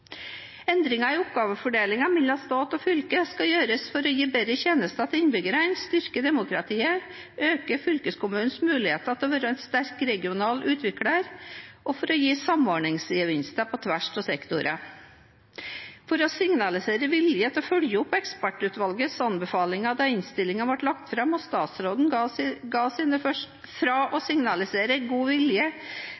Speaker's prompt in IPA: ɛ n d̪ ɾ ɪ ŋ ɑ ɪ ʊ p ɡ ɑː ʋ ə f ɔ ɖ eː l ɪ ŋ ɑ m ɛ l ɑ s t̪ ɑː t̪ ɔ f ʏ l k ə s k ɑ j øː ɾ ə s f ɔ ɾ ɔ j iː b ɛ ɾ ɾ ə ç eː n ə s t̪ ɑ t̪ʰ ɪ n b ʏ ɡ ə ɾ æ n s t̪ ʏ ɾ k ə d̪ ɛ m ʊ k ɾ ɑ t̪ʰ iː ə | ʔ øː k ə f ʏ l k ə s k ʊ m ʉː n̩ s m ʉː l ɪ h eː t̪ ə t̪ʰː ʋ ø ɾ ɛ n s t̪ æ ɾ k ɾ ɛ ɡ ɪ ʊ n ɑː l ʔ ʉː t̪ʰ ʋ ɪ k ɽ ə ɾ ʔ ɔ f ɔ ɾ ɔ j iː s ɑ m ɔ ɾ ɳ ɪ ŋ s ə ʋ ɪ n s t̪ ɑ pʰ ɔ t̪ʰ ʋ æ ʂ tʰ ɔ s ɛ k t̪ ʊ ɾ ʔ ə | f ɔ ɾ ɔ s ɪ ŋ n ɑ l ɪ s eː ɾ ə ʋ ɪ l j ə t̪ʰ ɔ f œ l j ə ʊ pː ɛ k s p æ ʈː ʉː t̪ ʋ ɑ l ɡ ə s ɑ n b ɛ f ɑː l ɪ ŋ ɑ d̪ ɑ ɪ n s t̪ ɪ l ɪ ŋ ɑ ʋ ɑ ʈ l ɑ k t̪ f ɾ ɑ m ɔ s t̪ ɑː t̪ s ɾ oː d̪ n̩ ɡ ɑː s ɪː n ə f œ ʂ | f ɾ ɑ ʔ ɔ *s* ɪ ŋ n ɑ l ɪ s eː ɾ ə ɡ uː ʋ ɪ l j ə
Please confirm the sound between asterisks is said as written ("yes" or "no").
yes